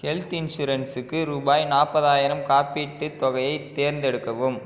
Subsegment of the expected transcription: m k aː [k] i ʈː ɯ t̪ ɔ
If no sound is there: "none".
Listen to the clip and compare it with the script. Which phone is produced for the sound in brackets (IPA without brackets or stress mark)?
p